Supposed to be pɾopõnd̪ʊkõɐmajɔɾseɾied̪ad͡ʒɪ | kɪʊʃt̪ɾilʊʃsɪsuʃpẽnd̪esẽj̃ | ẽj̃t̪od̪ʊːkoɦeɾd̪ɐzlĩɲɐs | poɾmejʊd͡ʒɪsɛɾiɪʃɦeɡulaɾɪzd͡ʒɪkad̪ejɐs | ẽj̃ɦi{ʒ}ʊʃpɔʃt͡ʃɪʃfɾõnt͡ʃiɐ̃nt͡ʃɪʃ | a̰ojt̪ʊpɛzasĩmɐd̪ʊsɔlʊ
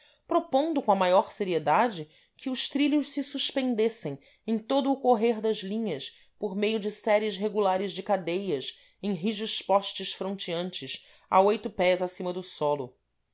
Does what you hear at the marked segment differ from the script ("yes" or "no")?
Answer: no